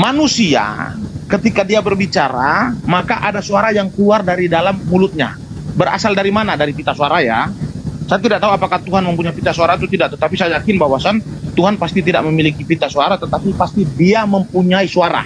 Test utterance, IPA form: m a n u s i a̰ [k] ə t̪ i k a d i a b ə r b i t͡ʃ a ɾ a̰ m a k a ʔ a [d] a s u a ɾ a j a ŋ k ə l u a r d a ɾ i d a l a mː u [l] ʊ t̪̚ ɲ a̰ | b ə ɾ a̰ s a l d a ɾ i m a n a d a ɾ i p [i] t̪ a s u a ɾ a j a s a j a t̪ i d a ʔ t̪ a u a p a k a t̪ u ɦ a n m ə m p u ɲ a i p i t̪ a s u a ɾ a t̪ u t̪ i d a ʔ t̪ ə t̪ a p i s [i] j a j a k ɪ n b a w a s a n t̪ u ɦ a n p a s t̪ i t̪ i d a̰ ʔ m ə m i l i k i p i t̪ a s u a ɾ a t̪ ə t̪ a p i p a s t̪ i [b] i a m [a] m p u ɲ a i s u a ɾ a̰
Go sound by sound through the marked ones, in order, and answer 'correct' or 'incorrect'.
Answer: correct, correct, correct, correct, incorrect: a, incorrect: d, incorrect: ə

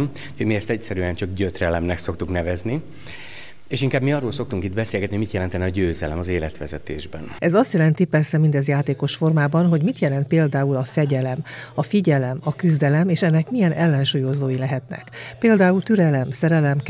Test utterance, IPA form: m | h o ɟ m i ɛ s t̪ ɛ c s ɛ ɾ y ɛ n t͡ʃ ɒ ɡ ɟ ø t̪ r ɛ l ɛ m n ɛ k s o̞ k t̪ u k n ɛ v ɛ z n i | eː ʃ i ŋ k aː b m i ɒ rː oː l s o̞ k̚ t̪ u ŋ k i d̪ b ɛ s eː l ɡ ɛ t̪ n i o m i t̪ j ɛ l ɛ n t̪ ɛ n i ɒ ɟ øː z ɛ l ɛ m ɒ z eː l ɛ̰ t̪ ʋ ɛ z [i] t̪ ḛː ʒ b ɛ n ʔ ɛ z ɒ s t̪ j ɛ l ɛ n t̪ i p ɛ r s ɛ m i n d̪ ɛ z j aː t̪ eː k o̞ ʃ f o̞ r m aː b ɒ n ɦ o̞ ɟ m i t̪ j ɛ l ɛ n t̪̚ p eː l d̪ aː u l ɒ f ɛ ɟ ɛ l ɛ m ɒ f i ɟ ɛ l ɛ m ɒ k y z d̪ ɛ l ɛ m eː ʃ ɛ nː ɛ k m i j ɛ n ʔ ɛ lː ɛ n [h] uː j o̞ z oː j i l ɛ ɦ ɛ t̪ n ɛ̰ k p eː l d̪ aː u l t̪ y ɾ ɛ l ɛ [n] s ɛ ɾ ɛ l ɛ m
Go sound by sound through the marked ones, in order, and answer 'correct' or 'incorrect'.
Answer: incorrect: ɛ, incorrect: ʃ, incorrect: m

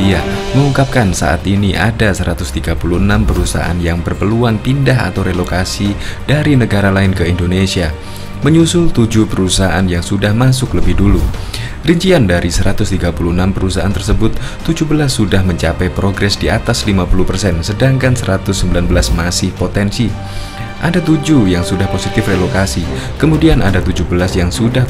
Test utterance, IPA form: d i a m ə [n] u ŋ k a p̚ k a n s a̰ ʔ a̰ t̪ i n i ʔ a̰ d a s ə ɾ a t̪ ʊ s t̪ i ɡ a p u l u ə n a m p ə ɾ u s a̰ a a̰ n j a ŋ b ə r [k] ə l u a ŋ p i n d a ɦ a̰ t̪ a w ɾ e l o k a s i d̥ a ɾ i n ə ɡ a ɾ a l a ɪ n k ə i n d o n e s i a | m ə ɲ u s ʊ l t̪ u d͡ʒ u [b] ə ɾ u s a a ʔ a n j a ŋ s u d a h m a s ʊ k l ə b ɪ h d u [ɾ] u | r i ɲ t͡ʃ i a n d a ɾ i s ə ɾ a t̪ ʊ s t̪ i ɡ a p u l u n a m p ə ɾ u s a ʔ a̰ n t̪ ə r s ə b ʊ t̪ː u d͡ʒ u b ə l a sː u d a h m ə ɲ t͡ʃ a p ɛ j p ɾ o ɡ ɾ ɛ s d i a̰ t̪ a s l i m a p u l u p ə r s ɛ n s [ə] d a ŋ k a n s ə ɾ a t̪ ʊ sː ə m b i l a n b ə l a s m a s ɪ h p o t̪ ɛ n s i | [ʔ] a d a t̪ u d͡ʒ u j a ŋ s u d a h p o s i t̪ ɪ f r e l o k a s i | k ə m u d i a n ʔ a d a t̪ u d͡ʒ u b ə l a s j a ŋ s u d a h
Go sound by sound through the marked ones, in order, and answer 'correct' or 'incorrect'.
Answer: incorrect: ŋ, incorrect: p, incorrect: p, incorrect: l, correct, correct

